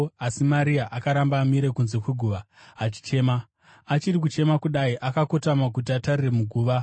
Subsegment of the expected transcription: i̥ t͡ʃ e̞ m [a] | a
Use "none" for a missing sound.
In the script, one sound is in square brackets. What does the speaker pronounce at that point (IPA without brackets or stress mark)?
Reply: a